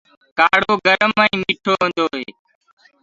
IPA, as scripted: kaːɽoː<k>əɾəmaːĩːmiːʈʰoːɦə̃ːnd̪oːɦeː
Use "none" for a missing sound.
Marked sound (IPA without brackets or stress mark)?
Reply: ɡ